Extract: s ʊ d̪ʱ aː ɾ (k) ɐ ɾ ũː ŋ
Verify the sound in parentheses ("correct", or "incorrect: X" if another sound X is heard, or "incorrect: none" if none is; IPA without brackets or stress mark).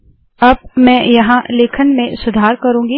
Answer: correct